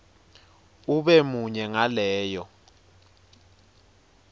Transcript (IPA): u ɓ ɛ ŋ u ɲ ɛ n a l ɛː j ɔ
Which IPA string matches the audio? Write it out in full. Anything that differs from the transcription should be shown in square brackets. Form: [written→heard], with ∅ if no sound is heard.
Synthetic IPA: u ɓ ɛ [ŋ→m] u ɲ ɛ [n→ŋ] a l ɛː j ɔ